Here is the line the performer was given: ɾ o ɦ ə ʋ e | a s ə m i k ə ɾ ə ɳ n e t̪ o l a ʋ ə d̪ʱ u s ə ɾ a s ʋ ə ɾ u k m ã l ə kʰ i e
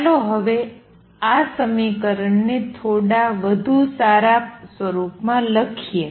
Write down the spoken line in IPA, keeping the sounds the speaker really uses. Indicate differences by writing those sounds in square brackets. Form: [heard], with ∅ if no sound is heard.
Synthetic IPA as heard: [l] o ɦ ə ʋ e | a s ə m i k ə ɾ ə ɳ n e [t̪ʰ] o [ɽ] a ʋ ə d̪ʱ u s [a] ɾ a s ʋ ə ɾ u [p] m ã l ə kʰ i e